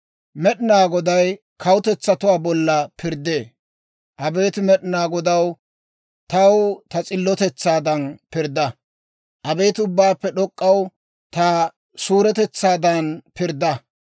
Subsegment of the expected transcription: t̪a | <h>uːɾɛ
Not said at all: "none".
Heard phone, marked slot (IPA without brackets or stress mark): s